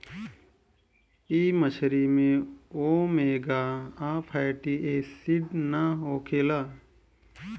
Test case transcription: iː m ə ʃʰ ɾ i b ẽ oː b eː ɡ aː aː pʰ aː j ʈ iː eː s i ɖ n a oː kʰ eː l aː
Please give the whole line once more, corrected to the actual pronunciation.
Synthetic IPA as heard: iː m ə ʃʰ ɾ i m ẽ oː m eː ɡ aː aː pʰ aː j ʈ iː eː s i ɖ n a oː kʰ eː l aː